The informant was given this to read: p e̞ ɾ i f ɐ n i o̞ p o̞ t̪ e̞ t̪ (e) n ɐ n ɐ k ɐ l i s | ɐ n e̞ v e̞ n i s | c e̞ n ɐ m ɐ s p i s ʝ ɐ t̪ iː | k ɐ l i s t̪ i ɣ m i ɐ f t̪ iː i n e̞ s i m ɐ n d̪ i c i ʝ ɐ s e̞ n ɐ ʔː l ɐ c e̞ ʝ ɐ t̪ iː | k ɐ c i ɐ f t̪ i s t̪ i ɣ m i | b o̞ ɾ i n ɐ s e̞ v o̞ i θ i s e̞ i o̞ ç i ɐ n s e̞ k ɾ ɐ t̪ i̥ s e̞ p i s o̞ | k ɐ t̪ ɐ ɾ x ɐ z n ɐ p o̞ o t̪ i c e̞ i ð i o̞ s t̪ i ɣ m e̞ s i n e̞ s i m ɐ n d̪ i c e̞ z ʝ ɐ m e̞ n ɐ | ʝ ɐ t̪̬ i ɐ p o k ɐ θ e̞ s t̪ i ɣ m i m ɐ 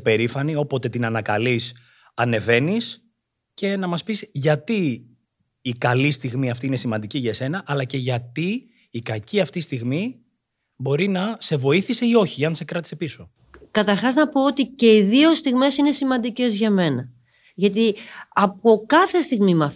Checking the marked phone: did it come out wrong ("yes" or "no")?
yes